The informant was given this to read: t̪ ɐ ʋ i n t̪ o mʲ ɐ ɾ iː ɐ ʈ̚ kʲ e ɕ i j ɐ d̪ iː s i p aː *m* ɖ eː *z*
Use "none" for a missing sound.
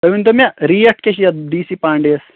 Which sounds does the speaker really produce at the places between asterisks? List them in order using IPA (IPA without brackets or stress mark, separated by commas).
ɳ, s